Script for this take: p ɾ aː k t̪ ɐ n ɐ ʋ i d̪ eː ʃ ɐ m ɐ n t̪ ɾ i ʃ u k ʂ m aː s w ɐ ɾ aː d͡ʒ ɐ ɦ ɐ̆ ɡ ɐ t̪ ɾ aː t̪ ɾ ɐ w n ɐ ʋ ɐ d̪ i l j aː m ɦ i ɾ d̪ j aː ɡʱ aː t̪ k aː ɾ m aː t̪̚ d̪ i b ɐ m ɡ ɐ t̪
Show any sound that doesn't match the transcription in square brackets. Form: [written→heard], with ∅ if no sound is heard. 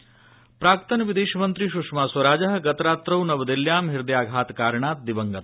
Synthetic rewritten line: p ɾ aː k t̪ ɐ n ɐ ʋ i d̪ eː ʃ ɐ m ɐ n t̪ ɾ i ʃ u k ʂ m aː s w ɐ ɾ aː d͡ʒ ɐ ɦ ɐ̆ ɡ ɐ t̪ ɾ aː t̪ ɾ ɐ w n ɐ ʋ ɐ d̪ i l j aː m ɦ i ɾ d̪ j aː ɡʱ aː t̪ k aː ɾ [m→ɳ] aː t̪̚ d̪ i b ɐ [m→ŋ] ɡ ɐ t̪